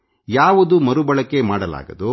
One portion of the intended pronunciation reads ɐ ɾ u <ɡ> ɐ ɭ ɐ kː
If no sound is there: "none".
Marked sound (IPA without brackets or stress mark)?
b